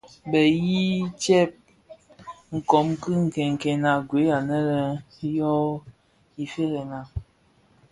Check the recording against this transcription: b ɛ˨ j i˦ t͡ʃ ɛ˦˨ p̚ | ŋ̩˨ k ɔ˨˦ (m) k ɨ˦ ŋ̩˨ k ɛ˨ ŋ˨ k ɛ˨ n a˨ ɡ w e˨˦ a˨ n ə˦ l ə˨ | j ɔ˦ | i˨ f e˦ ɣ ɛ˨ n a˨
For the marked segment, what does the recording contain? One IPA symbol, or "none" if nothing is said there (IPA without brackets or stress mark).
m